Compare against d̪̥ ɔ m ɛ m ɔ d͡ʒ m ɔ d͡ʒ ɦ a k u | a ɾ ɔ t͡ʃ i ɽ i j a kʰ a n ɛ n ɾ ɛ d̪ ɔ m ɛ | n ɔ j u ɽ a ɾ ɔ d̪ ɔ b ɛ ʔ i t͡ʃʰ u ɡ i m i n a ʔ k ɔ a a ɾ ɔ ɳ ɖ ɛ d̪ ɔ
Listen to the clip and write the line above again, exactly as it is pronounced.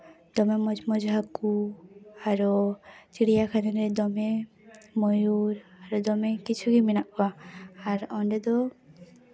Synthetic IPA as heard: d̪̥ ɔ m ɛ m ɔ d͡ʒ m ɔ d͡ʒ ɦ a k u | a ɾ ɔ t͡ʃ i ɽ i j a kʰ a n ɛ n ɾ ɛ d̪ ɔ m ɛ | m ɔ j u ɾ a ɾ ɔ d̪ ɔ m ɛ k i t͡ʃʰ u ɡ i m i n a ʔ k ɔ a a ɾ ɔ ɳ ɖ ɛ d̪ ɔ

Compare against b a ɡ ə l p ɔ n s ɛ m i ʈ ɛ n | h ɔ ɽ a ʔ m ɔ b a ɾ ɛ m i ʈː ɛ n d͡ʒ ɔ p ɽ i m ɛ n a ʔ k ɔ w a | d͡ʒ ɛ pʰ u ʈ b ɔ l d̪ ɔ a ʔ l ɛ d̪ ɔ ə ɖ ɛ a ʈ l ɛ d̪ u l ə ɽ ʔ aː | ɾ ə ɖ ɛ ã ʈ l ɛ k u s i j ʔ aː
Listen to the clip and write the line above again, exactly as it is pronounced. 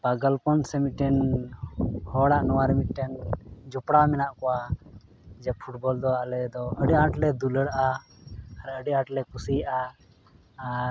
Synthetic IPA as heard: b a ɡ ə l p ɔ n s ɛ m i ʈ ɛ n | h ɔ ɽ a ʔ n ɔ w a ɾ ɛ m i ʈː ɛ n d͡ʒ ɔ p ɽ a m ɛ n a ʔ k ɔ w a | d͡ʒ ɛ pʰ u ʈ b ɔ l d̪ ɔ a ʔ l ɛ d̪ ɔ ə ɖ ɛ a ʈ l ɛ d̪ u l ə ɽ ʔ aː | ɾ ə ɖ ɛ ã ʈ l ɛ k u s i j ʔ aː

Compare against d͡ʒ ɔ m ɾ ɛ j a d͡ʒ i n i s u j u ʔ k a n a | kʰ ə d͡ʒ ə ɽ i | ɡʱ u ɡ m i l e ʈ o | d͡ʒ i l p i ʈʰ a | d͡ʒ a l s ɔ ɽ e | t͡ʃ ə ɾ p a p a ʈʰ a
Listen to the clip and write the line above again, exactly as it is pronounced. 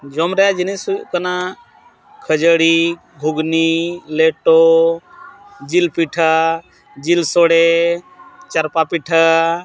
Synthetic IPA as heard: d͡ʒ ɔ m ɾ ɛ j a d͡ʒ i n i s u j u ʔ k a n a | kʰ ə d͡ʒ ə ɽ i | ɡʱ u ɡ n i l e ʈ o | d͡ʒ i l p i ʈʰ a | d͡ʒ i l s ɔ ɽ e | t͡ʃ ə ɾ p a p i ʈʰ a

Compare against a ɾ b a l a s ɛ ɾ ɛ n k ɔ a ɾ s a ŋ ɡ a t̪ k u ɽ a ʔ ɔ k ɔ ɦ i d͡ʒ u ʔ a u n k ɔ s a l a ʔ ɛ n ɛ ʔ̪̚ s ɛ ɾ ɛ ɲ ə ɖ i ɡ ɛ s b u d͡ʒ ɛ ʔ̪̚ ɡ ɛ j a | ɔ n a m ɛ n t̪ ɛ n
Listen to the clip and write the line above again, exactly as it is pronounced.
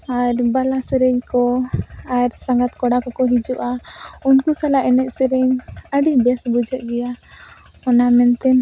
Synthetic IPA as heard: a ɾ b a l a s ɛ ɾ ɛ ɲ k ɔ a ɾ s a ŋ ɡ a t̪ k ɔ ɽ a k ɔ k ɔ ɦ i d͡ʒ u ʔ a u n k u s a l a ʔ ɛ n ɛ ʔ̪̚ s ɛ ɾ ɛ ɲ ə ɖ i b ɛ s b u d͡ʒ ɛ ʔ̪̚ ɡ ɛ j a | ɔ n a m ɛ n t̪ ɛ n

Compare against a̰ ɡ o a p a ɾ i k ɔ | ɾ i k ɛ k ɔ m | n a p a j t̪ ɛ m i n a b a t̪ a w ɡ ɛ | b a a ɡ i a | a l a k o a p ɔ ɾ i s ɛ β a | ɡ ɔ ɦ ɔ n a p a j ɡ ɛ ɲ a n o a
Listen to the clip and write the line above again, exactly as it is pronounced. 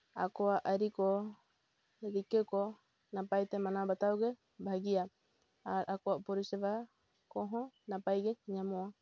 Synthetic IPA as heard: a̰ k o a ʔ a ɾ i k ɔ | ɾ i k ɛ k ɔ | n a p a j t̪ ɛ m a n a b a t̪ a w ɡ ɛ | b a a ɡ i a | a ɾ a k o a p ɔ ɾ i s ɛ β a | k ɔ ɦ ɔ n a p a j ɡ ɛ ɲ a m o a

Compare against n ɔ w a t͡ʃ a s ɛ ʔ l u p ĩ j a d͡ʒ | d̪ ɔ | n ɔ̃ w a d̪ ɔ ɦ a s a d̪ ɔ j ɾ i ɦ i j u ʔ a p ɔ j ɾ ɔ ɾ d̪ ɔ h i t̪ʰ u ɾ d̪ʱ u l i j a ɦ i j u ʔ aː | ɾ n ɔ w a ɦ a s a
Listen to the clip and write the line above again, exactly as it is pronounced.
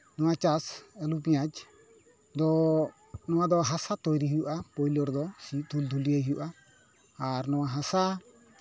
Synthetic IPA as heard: n ɔ w a t͡ʃ a s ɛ l u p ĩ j a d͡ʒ | d̪ ɔ | n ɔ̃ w a d̪ ɔ ɦ a s a t̪ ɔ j ɾ i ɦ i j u ʔ a p ɔ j l ɔ ɾ d̪ ɔ s i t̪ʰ u l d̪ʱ u l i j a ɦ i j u ʔ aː | ɾ n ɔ w a ɦ a s a

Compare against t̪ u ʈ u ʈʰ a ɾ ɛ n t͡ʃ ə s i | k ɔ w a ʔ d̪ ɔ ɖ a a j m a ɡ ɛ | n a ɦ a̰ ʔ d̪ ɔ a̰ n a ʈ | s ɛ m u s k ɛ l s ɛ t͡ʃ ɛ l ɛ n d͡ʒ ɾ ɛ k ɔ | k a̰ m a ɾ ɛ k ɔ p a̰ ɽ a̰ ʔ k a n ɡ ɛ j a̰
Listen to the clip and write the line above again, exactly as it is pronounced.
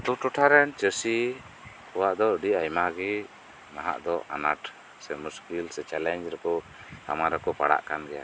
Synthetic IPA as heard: t̪ u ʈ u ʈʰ a ɾ ɛ n t͡ʃ ə s i | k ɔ w a ʔ d̪ ɔ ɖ i a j m a ɡ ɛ | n a ɦ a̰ ʔ d̪ ɔ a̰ n a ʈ | s ɛ m u s k i l s ɛ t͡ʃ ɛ l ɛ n d͡ʒ ɾ ɛ k ɔ | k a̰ m a ɾ ɛ k ɔ p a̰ ɽ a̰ ʔ k a n ɡ ɛ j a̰

